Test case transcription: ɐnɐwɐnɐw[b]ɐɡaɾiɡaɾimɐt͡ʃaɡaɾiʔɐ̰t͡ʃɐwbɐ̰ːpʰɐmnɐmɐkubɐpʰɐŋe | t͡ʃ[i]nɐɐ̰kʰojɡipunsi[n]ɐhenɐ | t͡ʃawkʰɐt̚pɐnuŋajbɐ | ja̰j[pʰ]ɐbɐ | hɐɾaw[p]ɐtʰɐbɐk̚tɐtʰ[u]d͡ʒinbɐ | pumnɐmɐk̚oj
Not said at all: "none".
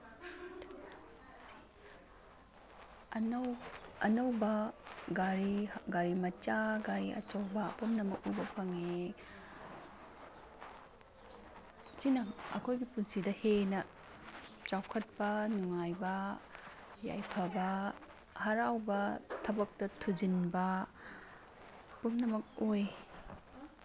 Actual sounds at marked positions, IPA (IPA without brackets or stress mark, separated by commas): b, i, d, pʰ, b, u